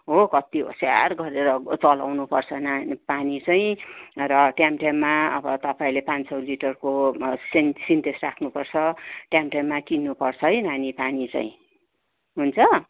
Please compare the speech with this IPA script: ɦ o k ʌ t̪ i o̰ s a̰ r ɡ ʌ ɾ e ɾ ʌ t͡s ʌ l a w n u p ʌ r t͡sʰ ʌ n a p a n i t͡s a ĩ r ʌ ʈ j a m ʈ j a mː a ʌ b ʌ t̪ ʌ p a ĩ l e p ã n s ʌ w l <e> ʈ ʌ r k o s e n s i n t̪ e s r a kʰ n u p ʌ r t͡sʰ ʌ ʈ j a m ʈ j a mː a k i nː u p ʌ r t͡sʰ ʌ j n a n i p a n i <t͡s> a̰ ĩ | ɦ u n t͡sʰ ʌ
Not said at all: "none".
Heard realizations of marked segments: i, t͡s

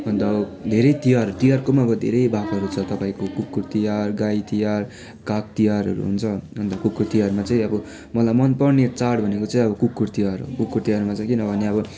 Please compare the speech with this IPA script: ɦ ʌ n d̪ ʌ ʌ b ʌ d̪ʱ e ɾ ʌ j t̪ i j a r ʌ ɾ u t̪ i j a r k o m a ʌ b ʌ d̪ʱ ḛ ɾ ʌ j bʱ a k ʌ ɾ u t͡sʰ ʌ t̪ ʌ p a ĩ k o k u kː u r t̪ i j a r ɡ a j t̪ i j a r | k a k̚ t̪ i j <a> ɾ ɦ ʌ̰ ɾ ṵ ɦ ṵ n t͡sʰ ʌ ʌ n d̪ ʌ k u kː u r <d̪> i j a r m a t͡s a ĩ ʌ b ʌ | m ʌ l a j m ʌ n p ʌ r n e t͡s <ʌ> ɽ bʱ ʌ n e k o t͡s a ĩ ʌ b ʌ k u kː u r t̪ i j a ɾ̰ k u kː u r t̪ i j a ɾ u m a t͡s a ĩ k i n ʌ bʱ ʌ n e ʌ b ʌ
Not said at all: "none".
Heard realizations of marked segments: a, t̪, a

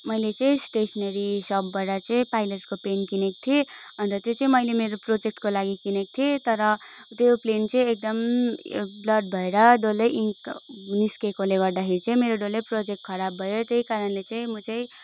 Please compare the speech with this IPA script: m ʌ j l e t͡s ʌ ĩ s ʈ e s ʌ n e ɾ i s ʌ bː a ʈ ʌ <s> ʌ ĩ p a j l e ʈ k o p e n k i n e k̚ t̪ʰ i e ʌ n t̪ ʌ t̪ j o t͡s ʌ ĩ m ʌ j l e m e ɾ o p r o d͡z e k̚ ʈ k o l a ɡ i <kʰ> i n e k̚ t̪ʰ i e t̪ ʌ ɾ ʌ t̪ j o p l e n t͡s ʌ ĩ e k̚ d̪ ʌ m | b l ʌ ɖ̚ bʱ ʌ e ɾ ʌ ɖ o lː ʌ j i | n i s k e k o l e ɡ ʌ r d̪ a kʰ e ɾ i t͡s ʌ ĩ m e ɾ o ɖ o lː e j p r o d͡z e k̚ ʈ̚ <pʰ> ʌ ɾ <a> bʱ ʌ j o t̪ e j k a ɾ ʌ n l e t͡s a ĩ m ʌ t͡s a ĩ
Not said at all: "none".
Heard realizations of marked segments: t͡s, k, kʰ, a

